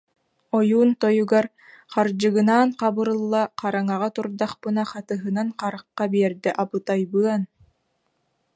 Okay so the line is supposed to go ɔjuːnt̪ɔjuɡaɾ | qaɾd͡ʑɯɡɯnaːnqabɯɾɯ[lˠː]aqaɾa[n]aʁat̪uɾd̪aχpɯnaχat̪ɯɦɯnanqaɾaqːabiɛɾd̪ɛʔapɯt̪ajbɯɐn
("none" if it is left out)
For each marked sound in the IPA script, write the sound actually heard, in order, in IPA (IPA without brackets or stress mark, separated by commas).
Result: lˠː, ŋ